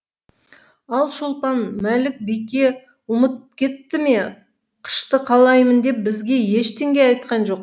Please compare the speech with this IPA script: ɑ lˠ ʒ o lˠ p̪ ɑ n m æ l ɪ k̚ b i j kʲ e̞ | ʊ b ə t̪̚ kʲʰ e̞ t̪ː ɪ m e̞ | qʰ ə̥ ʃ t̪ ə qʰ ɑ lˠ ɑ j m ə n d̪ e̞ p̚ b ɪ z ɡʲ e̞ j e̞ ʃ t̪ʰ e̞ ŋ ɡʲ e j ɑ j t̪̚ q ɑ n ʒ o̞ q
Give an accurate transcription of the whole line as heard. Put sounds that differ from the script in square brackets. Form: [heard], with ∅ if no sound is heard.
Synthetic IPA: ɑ lˠ [ʃ] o lˠ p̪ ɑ n m æ l ɪ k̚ b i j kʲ e̞ | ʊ [m] ə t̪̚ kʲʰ e̞ t̪ː ɪ m e̞ | qʰ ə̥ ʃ t̪ ə qʰ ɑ lˠ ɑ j m ə n d̪ e̞ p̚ b ɪ z ɡʲ e̞ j e̞ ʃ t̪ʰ e̞ ŋ ɡʲ e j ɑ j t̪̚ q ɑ n ʒ o̞ q